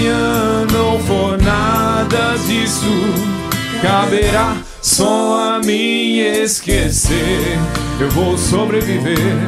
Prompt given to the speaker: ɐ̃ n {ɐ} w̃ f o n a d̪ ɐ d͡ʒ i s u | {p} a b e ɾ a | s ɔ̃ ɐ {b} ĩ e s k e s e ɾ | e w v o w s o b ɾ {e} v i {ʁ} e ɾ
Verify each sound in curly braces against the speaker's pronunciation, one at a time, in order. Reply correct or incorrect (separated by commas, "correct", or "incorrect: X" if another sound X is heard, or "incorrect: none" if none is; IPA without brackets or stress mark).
incorrect: ɐ̃, incorrect: k, incorrect: m, correct, incorrect: v